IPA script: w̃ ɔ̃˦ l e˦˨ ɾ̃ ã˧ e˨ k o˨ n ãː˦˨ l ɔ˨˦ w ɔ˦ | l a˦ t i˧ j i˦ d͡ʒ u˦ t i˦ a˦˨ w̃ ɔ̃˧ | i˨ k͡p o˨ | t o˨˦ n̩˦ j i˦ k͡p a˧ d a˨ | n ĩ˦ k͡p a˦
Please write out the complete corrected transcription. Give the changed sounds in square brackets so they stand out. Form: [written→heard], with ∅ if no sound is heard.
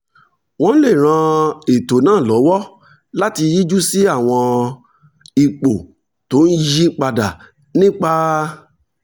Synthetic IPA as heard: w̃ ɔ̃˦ l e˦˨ ɾ̃ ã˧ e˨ [k→t] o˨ n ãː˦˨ l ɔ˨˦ w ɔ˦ | l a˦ t i˧ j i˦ d͡ʒ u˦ [t→s] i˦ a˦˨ w̃ ɔ̃˧ | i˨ k͡p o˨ | t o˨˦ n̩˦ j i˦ k͡p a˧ d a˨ | n ĩ˦ k͡p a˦

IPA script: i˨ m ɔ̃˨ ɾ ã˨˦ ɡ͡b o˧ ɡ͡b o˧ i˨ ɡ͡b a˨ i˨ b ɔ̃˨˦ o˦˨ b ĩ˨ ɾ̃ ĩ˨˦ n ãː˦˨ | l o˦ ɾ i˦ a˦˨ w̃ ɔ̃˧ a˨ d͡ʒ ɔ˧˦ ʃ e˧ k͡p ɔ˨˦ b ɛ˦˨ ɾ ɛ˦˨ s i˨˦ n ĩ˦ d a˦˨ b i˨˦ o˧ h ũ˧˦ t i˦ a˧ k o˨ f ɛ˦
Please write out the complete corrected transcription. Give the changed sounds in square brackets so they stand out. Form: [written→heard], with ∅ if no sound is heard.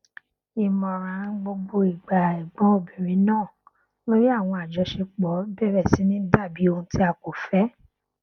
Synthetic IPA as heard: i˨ m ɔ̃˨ ɾ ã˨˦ ɡ͡b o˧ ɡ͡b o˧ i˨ ɡ͡b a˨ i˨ [b→ɡ͡b] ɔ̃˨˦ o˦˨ b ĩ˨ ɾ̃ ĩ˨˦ n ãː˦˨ | l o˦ ɾ i˦ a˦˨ w̃ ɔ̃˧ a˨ d͡ʒ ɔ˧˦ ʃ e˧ k͡p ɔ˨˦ b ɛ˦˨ ɾ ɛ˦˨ s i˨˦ n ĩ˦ d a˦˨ b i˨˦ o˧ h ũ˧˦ t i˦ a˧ k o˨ f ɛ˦

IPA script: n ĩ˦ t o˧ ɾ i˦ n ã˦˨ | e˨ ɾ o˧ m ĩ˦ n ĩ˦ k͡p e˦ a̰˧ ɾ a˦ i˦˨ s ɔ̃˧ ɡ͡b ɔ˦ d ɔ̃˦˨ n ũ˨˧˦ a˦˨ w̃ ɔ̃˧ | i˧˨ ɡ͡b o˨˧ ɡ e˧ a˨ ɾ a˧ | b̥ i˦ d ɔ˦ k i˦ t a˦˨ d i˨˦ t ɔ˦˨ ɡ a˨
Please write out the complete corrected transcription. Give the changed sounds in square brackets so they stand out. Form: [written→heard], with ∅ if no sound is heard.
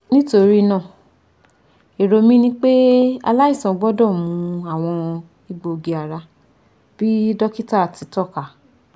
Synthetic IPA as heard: n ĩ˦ t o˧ ɾ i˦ n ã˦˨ | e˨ ɾ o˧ m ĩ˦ n ĩ˦ k͡p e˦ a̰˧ [ɾ→l] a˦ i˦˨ s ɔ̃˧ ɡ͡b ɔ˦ d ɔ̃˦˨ [n→m] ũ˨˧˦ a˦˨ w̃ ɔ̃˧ | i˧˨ ɡ͡b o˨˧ ɡ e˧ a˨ ɾ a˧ | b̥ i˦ d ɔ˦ k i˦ t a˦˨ [d→t] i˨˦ t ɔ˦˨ [ɡ→k] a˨

